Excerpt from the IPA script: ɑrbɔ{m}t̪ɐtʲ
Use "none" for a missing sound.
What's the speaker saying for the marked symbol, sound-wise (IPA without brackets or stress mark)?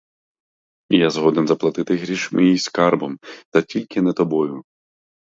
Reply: m